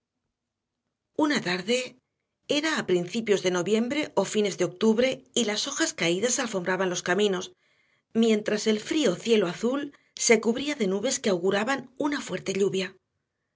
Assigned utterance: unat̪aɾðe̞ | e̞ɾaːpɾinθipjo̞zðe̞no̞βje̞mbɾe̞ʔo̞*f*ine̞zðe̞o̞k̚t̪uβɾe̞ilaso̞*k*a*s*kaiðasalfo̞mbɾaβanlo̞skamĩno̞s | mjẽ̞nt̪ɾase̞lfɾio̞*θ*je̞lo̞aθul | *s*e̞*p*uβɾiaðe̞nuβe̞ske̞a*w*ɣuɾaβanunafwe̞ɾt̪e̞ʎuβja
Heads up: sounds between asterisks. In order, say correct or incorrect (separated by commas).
correct, incorrect, correct, correct, correct, incorrect, correct